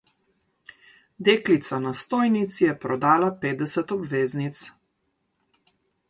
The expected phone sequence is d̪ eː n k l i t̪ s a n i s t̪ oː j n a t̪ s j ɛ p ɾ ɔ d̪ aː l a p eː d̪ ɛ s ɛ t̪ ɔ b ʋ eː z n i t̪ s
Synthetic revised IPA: d̪ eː k l i t̪ s a n a s t̪ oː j n i t̪ s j ɛ p ɾ ɔ d̪ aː l a p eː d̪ ɛ s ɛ t̪ ɔ b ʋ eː z n i t̪ s